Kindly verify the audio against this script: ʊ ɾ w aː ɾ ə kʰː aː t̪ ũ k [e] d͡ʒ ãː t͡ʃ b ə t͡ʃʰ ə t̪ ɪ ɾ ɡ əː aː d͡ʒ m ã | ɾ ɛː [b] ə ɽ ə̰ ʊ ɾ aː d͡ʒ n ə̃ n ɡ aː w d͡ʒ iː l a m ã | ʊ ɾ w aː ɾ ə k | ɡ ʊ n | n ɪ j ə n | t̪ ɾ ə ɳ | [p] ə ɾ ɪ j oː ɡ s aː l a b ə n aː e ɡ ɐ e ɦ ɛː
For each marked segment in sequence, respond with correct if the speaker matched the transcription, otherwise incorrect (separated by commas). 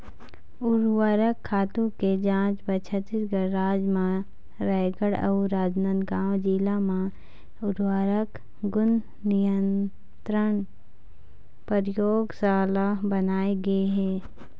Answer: correct, incorrect, correct